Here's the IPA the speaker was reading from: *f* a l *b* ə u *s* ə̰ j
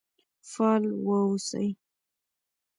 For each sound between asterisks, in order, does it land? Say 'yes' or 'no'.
yes, no, yes

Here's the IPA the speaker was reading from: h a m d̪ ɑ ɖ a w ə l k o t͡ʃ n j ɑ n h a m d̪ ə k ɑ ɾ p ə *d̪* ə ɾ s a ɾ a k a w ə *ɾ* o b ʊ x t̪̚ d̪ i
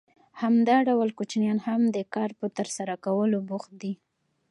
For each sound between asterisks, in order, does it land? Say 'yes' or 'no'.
no, no

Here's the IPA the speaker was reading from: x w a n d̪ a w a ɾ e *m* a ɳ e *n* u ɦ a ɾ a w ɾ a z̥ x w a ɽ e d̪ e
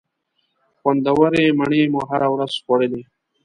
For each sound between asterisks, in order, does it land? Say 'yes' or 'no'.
yes, no

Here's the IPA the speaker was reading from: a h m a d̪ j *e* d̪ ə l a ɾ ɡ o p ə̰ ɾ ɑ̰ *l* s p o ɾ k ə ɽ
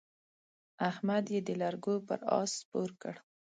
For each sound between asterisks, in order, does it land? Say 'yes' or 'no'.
yes, no

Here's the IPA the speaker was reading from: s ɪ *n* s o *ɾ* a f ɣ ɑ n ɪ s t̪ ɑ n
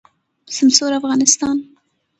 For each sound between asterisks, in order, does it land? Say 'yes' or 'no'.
no, yes

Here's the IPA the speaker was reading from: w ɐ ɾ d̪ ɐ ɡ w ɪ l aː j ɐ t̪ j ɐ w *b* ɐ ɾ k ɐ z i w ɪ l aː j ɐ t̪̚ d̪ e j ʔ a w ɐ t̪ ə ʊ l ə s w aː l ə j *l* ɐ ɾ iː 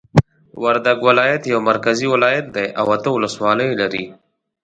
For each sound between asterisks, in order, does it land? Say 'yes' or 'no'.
no, yes

